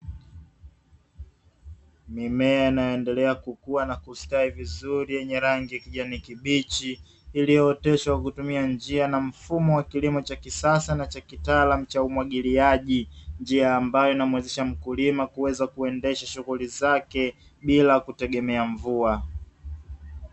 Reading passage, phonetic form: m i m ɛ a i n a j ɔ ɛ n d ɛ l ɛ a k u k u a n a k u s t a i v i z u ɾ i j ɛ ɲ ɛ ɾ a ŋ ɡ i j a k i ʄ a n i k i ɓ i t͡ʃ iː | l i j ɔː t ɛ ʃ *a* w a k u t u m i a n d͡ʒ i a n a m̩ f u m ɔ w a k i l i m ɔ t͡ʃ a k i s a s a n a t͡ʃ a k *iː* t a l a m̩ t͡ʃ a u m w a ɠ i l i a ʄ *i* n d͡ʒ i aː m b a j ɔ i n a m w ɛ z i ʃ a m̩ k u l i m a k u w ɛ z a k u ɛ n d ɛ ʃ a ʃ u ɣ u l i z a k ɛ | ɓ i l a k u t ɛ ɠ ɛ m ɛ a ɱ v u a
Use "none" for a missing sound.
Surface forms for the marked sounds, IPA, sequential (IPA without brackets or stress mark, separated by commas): a, i, i